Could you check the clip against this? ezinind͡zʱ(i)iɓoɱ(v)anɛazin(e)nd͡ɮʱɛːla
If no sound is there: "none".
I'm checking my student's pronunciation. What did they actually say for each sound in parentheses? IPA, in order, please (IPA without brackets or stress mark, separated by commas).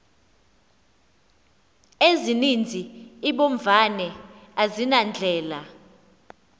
i, v, a